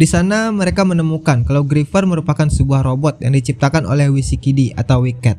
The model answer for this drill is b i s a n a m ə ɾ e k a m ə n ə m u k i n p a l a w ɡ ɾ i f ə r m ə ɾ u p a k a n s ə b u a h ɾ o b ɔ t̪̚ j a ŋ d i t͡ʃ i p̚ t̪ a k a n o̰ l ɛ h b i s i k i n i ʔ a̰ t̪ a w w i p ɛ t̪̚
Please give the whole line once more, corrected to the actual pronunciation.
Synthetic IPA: d i s a n a m ə ɾ e k a m ə n ə m u k a n k a l a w ɡ ɾ i f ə r m ə ɾ u p a k a n s ə b u a h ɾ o b ɔ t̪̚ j a ŋ d i t͡ʃ i p̚ t̪ a k a n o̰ l ɛ h w i s i k i d i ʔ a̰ t̪ a w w i k ɛ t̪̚